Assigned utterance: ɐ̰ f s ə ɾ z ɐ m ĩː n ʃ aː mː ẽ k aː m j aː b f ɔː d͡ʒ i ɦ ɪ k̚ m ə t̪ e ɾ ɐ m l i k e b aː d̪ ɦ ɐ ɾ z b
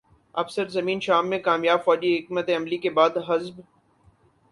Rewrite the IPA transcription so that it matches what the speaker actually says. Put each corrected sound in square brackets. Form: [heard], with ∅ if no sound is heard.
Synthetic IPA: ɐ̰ f s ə ɾ z ɐ m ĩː n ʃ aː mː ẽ k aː m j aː b f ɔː d͡ʒ i ɦ ɪ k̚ m ə t̪ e [∅] ɐ m l i k e b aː d̪ ɦ ɐ [∅] z b